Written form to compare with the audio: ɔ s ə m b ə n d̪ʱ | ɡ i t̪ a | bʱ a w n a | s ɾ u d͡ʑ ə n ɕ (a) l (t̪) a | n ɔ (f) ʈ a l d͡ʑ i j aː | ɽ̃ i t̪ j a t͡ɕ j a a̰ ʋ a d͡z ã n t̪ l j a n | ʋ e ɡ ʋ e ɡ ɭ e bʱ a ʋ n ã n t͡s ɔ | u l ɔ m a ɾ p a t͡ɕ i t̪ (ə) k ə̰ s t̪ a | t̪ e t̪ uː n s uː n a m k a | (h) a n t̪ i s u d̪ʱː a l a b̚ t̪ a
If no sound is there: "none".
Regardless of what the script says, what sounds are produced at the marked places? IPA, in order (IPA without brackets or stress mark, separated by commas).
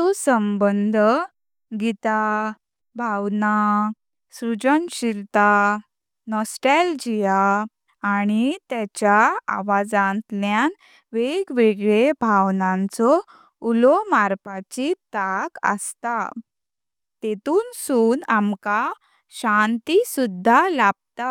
i, t̪, s, a, ɕ